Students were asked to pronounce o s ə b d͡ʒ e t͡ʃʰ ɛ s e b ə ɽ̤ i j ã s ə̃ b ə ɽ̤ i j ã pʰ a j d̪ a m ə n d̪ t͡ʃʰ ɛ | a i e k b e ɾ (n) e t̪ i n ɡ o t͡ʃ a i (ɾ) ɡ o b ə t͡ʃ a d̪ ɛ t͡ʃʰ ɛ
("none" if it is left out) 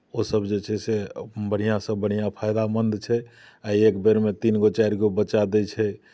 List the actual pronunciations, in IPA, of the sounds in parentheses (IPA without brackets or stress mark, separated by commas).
m, ɾ